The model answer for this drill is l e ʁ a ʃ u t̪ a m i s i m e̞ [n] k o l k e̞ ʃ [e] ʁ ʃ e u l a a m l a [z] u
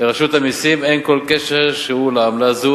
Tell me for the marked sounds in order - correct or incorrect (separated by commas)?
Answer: correct, correct, correct